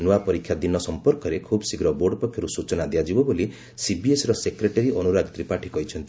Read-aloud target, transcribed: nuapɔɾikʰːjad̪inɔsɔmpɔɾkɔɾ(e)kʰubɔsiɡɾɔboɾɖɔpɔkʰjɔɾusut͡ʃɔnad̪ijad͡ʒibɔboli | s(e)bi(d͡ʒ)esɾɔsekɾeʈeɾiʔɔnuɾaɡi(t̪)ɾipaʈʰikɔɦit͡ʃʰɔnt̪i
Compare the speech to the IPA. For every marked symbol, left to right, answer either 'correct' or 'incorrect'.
correct, incorrect: i, incorrect: none, correct

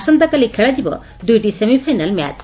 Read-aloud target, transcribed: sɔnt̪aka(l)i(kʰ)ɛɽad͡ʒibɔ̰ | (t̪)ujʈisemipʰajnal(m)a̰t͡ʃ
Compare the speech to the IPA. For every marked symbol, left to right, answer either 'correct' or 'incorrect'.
correct, correct, incorrect: d̪, correct

